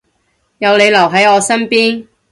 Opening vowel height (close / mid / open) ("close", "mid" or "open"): open